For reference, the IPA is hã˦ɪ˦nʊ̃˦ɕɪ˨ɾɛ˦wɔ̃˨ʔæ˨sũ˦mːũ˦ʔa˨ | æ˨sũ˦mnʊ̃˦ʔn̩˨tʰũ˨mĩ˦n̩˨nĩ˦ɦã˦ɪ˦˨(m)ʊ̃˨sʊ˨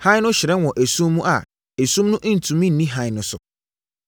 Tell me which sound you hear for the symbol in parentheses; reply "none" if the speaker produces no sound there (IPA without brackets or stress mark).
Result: n